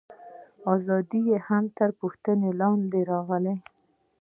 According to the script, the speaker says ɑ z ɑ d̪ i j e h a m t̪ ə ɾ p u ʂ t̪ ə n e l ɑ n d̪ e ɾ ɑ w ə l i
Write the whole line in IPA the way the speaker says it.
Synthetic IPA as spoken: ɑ z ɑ d̪ i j e h a m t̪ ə ɾ p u x t̪ ə n e l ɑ n d̪ e ɾ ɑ ɣ ə l e